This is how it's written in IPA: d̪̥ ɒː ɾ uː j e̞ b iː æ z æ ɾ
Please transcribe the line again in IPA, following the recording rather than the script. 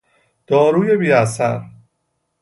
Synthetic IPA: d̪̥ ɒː ɾ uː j e̞ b iː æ s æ ɾ